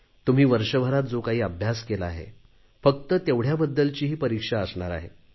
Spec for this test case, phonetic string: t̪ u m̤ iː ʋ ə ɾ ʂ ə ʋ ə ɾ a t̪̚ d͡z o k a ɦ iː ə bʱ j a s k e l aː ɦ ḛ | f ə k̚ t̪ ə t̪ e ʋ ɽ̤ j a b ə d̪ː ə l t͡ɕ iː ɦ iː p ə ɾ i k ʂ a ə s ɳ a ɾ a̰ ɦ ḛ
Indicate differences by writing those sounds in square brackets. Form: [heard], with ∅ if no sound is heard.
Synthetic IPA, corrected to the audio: t̪ u m̤ iː ʋ ə ɾ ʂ ə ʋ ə ɾ a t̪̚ d͡z o k a ɦ iː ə bʱ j a s k e l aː ɦ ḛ | f ə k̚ t̪ ə t̪ e ʋ ɽ̤ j a b ə d̪ː ə l t͡ɕ iː ɦ iː p ə ɾ i k ʂ a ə s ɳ a ɾ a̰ ɦ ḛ